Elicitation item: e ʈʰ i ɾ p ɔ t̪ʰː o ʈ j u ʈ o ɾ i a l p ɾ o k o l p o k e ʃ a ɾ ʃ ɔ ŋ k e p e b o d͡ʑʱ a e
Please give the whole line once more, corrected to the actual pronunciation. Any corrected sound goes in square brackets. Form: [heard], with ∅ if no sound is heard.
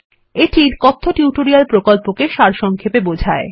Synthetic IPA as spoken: e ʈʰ i ɾ [k] ɔ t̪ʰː o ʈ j u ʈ o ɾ i a l p ɾ o k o l p o k e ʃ a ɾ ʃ ɔ ŋ [kʰ] e p e b o d͡ʑʱ a e